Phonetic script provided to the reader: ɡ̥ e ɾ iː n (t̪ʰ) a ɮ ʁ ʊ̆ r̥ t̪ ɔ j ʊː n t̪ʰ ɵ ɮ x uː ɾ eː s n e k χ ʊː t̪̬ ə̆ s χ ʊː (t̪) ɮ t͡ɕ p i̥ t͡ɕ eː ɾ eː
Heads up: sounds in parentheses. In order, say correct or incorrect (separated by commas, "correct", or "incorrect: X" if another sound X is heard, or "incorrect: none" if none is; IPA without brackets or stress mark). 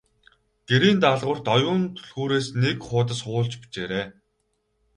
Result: incorrect: t̪, incorrect: none